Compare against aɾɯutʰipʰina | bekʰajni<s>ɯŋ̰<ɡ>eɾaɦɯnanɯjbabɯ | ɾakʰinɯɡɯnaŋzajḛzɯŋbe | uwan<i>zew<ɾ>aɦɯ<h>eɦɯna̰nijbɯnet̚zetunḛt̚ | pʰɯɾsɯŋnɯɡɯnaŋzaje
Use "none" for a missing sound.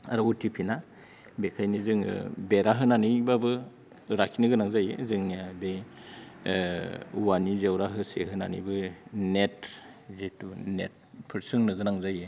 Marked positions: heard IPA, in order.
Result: z, b, i, ɾ, s

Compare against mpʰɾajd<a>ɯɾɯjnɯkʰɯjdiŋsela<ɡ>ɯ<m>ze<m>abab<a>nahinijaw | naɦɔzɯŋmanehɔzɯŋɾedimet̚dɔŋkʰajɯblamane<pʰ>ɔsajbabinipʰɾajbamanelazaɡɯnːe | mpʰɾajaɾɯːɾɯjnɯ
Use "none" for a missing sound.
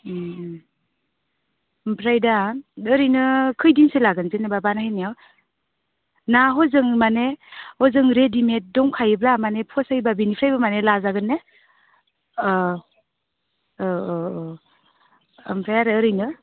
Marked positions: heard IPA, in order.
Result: a, ɡ, n, n, a, pʰ

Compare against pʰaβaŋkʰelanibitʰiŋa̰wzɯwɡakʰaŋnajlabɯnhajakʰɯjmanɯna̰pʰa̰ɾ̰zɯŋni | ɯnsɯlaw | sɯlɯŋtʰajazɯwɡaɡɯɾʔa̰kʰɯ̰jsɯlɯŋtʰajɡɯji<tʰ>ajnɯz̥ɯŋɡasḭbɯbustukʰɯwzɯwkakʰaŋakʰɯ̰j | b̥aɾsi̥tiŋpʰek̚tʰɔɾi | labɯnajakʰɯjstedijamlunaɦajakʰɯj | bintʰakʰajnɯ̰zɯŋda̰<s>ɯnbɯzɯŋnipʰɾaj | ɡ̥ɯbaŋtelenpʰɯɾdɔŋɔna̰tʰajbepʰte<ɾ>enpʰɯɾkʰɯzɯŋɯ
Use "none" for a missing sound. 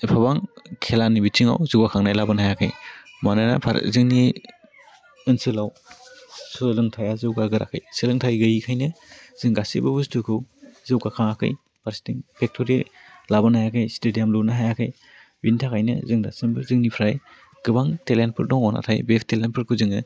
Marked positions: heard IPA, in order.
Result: kʰ, s, l

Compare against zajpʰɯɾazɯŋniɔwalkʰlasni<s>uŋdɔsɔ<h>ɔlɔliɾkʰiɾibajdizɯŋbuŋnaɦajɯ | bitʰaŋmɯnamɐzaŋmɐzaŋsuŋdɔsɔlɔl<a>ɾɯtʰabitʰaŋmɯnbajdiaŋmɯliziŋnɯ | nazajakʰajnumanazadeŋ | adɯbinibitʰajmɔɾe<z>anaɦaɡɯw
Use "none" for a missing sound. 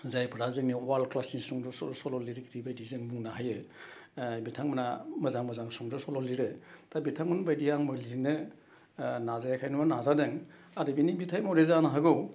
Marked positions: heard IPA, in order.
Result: s, s, i, z

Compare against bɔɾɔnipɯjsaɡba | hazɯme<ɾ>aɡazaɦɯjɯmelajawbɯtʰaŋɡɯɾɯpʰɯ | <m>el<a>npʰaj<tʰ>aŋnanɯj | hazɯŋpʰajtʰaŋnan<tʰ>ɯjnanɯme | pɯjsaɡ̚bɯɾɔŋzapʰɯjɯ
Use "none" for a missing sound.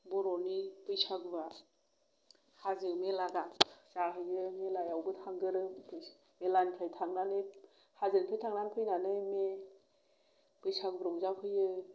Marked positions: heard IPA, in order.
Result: l, m, a, tʰ, pʰ

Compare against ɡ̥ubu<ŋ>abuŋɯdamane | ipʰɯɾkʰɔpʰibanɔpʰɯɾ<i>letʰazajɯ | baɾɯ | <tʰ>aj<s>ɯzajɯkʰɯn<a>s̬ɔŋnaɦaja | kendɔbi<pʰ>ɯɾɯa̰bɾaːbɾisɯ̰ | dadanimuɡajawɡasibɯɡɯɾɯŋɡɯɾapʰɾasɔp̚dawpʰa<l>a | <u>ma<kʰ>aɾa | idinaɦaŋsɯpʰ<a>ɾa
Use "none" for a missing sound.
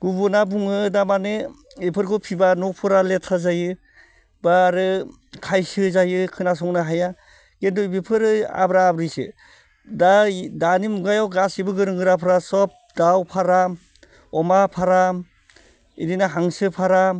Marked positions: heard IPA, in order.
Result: n, a, kʰ, s, a, pʰ, ɾ, ɔ, pʰ, a

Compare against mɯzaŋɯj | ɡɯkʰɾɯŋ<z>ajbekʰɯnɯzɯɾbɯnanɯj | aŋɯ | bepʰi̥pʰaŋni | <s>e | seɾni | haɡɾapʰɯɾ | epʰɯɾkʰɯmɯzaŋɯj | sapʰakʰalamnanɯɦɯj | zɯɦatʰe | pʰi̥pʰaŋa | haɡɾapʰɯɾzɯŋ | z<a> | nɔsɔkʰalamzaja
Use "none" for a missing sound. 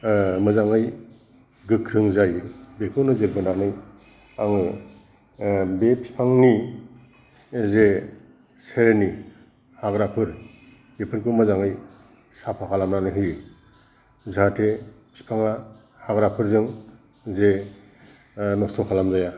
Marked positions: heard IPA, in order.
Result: z, z, e

